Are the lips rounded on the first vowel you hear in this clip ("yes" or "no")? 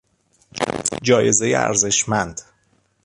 yes